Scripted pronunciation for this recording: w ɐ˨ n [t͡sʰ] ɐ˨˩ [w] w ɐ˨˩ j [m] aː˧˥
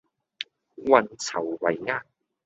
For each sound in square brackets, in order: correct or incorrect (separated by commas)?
correct, correct, incorrect